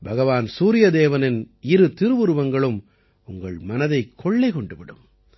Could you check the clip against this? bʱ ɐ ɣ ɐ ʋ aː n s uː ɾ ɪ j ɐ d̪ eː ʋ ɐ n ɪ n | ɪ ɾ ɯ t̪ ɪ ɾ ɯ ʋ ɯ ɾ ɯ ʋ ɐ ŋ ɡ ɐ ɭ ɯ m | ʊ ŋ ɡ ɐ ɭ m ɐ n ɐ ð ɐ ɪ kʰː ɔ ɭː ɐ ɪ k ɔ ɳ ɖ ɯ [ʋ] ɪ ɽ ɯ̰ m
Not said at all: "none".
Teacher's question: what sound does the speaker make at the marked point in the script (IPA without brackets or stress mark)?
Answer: ʋ